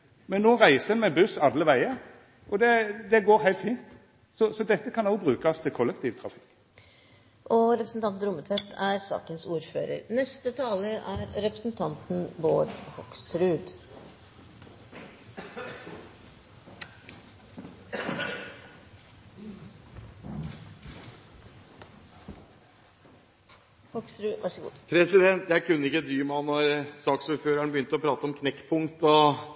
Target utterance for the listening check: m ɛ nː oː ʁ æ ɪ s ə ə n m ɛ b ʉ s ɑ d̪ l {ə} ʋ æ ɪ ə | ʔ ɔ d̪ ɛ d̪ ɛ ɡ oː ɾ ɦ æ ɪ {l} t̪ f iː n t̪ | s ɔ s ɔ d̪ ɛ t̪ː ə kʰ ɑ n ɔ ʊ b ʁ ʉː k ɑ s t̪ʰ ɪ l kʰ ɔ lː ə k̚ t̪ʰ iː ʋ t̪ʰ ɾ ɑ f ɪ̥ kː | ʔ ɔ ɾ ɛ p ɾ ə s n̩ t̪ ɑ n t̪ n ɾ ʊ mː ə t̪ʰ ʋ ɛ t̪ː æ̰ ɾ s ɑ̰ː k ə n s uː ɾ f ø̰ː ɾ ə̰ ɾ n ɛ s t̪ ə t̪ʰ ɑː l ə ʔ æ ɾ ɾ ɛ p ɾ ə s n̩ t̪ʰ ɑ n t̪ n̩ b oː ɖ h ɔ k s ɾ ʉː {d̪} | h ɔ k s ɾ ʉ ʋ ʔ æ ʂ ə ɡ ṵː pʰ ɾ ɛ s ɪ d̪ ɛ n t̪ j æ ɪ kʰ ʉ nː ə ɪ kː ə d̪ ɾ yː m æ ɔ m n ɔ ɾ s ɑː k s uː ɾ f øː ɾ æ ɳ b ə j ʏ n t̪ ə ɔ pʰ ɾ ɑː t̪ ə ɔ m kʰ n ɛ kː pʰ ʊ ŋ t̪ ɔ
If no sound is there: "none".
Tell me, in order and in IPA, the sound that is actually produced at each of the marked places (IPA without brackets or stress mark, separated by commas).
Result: ə, l, d̪